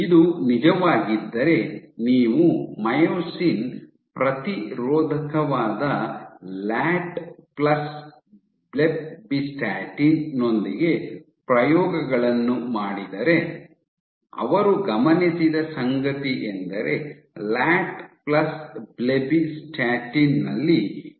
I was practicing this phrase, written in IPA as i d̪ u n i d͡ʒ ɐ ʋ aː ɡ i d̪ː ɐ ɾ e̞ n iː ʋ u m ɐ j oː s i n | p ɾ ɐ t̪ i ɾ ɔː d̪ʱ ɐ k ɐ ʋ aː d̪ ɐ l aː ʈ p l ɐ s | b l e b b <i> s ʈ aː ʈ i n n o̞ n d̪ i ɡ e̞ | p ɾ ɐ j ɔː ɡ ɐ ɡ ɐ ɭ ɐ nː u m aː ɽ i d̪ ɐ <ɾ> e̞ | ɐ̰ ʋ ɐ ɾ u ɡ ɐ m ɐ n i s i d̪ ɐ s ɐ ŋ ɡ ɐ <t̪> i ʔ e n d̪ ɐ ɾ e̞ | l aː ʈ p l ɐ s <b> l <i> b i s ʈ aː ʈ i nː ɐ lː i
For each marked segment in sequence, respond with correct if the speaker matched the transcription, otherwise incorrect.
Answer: correct, correct, correct, correct, incorrect: e

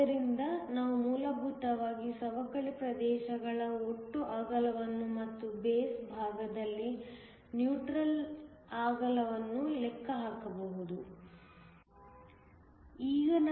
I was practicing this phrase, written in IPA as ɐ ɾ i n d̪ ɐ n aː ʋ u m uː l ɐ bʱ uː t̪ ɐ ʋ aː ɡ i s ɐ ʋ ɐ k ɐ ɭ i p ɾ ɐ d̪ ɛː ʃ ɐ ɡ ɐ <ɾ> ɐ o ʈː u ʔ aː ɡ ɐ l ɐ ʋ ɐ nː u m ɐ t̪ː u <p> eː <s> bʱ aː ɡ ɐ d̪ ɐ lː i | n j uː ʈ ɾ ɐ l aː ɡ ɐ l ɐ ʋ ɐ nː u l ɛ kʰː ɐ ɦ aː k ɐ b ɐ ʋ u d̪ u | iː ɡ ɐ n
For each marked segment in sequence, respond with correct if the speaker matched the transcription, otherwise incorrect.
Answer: incorrect: ɭ, incorrect: b, correct

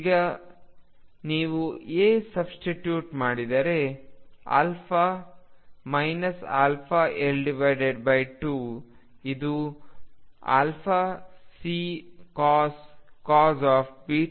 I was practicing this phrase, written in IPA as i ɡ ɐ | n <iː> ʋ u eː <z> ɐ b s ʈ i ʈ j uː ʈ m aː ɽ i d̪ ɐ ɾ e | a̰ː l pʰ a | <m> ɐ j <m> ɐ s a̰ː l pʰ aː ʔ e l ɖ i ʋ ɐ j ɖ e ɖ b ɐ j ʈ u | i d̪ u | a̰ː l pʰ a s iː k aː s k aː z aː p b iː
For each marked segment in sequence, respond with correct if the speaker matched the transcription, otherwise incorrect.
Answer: correct, incorrect: s, correct, incorrect: n

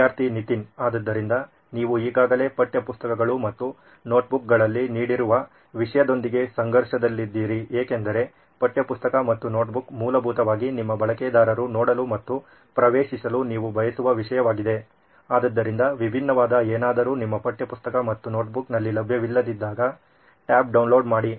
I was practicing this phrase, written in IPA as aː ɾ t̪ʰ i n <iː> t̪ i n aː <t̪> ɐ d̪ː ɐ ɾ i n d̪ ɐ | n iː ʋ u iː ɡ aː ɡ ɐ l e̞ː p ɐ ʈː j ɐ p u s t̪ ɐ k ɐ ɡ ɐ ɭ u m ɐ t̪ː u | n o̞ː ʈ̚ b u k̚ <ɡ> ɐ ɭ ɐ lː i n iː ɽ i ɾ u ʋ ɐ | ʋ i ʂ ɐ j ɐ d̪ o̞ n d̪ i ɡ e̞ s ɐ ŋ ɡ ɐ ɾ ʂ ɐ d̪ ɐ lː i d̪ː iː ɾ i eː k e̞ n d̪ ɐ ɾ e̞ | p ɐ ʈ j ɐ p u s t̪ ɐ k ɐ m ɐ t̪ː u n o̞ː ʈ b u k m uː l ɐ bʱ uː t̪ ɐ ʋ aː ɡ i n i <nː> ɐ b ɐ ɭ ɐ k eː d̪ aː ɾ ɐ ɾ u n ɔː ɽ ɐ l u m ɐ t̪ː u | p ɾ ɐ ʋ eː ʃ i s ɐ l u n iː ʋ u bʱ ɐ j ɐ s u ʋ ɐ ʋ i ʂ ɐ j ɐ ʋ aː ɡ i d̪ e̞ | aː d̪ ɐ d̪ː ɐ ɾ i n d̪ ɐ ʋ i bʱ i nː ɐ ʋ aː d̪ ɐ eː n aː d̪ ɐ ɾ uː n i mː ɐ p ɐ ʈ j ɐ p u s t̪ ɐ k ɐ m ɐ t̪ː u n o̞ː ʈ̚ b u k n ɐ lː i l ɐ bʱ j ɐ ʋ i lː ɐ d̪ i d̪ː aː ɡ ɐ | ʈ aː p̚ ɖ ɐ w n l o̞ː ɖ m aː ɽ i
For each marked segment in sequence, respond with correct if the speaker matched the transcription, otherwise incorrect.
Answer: incorrect: i, incorrect: d̪, correct, incorrect: mː

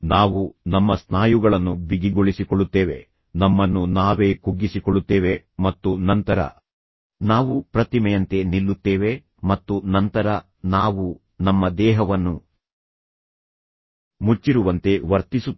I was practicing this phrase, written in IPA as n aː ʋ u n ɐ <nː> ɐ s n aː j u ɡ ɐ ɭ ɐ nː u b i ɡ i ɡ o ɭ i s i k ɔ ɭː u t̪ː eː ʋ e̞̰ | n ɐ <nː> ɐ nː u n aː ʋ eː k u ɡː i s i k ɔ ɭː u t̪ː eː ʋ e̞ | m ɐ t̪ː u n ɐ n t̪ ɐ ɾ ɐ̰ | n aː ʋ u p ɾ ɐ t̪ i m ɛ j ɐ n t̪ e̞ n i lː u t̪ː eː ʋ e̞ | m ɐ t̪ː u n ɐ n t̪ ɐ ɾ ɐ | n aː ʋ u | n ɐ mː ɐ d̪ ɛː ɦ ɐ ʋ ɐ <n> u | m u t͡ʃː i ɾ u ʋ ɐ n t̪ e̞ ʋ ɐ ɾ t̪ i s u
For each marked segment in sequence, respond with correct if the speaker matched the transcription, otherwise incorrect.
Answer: incorrect: mː, incorrect: mː, incorrect: nː

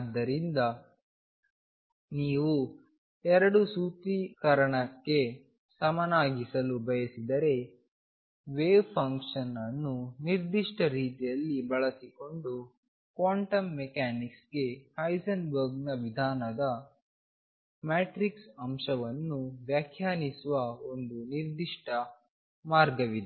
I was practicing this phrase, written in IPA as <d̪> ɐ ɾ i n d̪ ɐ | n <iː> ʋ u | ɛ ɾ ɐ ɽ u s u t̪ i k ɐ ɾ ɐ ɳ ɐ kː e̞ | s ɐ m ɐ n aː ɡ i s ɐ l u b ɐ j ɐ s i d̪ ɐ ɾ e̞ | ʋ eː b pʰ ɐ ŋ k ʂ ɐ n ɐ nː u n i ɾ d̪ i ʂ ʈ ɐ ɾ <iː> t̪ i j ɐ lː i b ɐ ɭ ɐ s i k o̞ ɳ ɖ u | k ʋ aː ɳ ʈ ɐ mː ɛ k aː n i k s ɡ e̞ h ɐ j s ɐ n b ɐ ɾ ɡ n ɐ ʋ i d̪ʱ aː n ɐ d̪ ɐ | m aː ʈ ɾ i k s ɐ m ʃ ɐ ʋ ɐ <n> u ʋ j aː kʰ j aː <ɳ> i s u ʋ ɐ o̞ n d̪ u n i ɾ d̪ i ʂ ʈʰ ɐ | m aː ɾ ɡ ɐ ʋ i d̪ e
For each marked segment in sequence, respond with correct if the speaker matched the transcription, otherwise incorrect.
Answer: incorrect: d̪ː, correct, correct, incorrect: nː, incorrect: n

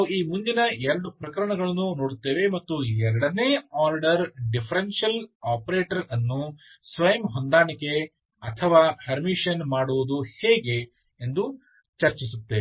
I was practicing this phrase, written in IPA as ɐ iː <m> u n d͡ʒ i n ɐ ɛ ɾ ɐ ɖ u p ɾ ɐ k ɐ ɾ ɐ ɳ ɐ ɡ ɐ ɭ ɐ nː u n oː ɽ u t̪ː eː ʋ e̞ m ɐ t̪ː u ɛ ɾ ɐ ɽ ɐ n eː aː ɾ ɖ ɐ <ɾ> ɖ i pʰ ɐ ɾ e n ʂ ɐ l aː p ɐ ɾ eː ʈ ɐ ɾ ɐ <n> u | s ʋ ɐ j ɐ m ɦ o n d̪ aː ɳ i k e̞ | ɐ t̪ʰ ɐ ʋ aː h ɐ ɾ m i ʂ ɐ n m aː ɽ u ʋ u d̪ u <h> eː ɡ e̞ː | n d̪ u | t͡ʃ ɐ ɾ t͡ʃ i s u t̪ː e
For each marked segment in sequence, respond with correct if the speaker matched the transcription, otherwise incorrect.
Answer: correct, correct, incorrect: nː, correct

